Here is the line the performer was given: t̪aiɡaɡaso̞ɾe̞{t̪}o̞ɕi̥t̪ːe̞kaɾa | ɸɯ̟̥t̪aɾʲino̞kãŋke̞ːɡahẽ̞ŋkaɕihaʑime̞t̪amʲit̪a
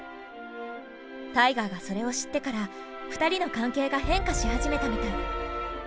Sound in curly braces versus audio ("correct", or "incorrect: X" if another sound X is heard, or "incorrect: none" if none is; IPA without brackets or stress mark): incorrect: none